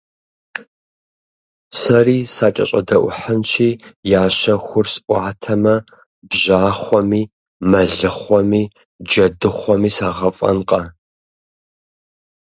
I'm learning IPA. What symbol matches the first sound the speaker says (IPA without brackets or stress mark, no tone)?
s